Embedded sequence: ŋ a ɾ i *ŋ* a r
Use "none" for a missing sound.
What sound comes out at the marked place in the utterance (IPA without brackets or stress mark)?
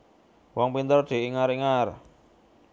ŋ